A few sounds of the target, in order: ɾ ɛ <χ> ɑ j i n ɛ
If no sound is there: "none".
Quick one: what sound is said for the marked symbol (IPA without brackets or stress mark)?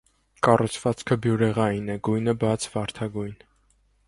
ʁ